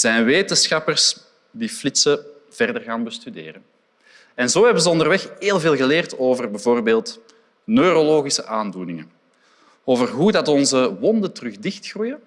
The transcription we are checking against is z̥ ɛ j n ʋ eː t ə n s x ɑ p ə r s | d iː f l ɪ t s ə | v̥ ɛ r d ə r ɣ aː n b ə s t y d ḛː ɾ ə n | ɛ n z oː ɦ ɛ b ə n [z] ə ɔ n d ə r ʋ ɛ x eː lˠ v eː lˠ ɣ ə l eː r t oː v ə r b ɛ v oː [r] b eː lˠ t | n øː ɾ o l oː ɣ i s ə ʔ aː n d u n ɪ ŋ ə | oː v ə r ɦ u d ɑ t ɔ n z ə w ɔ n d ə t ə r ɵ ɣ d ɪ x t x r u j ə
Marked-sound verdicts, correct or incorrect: correct, correct

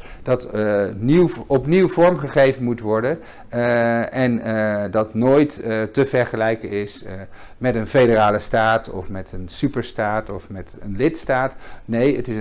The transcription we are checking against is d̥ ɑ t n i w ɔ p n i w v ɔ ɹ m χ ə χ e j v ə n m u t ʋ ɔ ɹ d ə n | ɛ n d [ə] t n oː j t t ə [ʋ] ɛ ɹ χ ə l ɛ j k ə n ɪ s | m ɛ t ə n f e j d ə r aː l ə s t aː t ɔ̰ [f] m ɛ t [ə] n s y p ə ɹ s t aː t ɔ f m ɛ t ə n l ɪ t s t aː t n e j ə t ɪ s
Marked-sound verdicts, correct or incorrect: incorrect: ɑ, incorrect: v, correct, correct

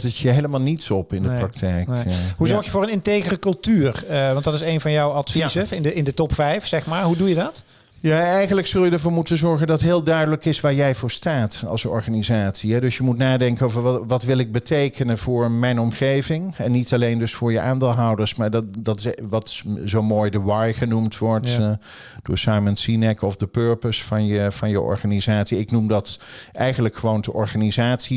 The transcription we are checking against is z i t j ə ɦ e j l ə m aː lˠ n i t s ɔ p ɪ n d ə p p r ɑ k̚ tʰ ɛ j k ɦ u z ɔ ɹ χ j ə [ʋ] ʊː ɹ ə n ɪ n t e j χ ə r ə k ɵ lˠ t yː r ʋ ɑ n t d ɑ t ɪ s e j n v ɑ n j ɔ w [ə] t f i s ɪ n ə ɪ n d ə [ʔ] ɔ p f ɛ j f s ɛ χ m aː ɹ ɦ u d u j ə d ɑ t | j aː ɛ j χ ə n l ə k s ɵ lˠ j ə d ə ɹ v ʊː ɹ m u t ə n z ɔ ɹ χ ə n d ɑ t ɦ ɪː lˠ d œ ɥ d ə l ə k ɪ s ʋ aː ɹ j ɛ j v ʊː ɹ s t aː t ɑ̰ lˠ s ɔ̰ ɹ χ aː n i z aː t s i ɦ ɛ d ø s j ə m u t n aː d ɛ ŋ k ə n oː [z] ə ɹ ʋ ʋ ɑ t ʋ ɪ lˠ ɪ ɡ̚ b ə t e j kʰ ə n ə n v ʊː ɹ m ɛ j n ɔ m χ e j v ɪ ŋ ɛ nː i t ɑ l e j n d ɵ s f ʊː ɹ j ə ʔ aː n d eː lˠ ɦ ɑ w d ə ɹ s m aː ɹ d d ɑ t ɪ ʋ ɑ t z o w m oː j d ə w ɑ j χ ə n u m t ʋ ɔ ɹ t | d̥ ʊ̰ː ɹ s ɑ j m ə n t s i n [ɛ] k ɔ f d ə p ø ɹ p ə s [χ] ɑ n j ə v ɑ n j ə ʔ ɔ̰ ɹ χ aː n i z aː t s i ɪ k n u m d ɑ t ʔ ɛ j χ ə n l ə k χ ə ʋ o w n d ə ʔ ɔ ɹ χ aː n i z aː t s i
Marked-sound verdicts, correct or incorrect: incorrect: v, incorrect: ɑ, incorrect: t, incorrect: v, correct, incorrect: f

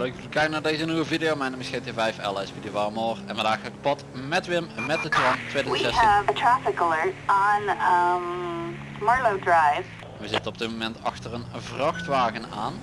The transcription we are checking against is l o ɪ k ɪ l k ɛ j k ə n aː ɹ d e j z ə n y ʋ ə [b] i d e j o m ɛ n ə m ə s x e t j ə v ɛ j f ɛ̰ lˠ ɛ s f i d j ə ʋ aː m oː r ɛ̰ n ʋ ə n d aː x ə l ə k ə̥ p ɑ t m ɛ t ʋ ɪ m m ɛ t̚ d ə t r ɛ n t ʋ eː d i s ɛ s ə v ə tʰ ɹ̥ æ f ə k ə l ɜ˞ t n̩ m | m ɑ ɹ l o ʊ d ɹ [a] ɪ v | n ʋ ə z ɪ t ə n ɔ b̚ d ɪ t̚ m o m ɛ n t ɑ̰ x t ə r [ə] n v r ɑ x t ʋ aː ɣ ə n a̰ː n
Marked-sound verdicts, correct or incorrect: incorrect: v, correct, correct

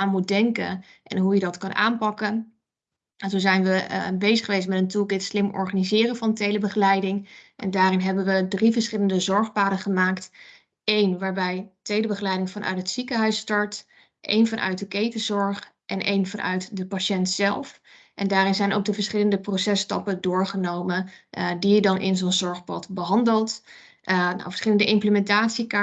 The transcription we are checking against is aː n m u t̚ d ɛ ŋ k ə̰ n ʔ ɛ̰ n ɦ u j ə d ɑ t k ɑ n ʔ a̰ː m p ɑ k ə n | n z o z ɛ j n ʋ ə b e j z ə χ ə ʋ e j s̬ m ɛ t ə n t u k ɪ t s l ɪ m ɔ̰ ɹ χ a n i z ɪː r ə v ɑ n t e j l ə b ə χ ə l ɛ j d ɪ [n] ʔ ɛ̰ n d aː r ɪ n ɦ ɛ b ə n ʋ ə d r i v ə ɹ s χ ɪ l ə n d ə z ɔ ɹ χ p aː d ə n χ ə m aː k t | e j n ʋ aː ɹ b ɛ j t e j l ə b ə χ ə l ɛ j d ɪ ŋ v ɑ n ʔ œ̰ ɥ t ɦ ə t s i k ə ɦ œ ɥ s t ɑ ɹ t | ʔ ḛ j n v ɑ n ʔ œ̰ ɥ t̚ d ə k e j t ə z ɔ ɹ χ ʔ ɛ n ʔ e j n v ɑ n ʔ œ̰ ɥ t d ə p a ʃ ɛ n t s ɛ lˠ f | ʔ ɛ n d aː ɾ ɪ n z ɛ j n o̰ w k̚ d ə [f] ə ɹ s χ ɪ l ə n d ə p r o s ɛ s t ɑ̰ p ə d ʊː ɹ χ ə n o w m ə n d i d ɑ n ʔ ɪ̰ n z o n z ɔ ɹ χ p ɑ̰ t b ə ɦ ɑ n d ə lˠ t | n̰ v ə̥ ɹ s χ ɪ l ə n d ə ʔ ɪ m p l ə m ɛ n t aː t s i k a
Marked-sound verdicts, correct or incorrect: incorrect: ŋ, incorrect: v

